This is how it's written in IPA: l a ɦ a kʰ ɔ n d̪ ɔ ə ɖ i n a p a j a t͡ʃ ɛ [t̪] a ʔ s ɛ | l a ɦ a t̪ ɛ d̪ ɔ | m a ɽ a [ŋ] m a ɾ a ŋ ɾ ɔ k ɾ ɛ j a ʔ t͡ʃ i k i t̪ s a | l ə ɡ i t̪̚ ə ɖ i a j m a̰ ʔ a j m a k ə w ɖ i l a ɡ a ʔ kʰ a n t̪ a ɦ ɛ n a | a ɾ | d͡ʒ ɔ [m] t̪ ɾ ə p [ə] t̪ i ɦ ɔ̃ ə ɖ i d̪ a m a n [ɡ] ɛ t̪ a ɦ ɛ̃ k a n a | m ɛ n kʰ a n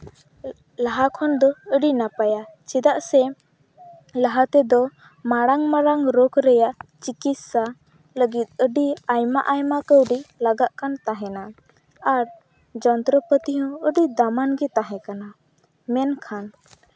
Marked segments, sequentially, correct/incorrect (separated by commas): incorrect, correct, incorrect, correct, correct